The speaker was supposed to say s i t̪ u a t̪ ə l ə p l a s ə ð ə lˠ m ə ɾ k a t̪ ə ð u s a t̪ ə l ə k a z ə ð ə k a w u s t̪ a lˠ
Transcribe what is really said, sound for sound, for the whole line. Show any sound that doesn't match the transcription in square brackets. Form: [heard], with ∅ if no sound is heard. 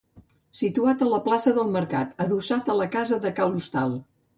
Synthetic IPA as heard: s i t̪ u a t̪ ə l ə p l a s ə ð ə lˠ m ə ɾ k a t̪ ə ð u s a t̪ ə l ə k a z ə ð ə k a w u s t̪ a lˠ

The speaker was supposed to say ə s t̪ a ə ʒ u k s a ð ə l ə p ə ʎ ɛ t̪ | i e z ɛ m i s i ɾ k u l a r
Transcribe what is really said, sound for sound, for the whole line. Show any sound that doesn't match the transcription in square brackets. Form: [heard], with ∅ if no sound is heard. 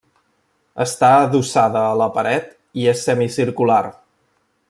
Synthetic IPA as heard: ə s t̪ a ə [ð] u [∅] s a ð [əː] l ə p ə [ɾ] ɛ t̪ | i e [s] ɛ m i s i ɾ k u l a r

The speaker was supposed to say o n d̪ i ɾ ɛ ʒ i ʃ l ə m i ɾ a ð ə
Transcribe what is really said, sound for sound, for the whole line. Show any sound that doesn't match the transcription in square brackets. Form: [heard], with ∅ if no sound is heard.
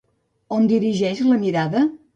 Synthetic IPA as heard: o n d̪ i ɾ [i] ʒ [ɛ] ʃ l ə m i ɾ a ð ə

